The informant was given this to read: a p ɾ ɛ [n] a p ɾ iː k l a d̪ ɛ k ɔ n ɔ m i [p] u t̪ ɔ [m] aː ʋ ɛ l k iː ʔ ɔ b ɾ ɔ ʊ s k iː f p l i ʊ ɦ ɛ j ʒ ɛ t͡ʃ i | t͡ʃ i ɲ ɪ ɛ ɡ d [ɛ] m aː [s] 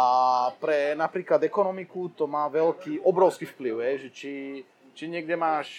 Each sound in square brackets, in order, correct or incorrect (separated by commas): correct, incorrect, correct, correct, incorrect